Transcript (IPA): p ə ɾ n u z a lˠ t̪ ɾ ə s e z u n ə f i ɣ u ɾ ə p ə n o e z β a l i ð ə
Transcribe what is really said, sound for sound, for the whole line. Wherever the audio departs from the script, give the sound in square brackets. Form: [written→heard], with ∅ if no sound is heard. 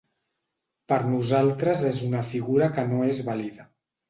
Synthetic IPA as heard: p ə ɾ n u z a lˠ t̪ ɾ ə [s→z] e z u n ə f i ɣ u ɾ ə [p→k] ə n o e z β a l i ð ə